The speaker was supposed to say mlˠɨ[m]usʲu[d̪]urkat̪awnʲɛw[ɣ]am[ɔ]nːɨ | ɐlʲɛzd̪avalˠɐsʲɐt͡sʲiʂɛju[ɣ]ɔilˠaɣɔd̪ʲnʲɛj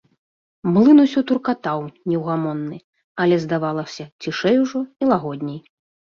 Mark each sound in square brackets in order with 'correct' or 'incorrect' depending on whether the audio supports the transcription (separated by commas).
incorrect, incorrect, correct, correct, incorrect